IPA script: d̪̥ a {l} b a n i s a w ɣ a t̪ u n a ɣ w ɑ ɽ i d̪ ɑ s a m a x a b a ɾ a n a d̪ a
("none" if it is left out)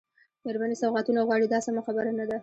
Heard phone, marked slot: ɾ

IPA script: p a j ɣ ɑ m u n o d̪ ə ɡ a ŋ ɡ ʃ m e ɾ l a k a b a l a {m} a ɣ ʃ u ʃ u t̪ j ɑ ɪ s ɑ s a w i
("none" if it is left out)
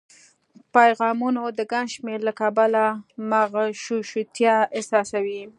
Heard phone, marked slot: m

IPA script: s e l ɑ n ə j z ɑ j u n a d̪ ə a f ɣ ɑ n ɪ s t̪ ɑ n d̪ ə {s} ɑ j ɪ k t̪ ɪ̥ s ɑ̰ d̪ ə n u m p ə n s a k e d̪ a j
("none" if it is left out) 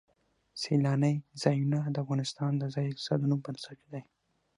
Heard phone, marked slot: z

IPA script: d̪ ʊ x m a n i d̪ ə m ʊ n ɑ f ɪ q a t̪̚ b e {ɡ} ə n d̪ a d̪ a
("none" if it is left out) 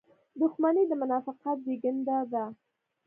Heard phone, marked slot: ɡ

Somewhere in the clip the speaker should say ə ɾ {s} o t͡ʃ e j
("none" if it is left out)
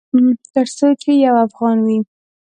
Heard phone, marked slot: s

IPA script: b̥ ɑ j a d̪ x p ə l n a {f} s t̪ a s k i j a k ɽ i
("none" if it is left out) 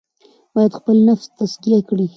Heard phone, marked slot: f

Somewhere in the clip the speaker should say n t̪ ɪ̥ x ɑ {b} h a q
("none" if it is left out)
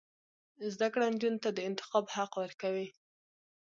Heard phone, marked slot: b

